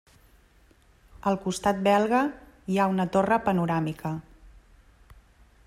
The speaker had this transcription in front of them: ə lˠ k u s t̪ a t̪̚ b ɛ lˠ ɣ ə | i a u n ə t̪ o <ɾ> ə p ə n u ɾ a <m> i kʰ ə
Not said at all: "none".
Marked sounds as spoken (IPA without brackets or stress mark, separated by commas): r, m